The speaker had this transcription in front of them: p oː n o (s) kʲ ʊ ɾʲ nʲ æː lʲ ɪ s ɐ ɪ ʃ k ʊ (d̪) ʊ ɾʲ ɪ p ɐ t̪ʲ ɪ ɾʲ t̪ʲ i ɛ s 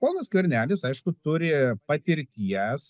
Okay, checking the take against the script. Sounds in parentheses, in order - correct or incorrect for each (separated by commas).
correct, incorrect